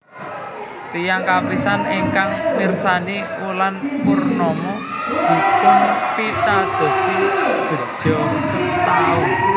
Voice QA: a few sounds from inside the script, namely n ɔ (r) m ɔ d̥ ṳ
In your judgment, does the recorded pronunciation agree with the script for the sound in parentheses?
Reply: no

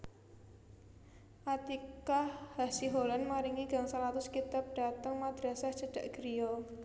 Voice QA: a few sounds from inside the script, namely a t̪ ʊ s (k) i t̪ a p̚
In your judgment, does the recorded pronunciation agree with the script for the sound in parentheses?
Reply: yes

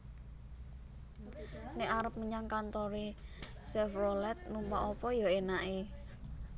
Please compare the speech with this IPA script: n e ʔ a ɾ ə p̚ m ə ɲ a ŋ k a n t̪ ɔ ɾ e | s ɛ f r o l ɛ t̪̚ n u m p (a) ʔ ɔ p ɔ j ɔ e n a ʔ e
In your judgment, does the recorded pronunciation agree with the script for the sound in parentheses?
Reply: yes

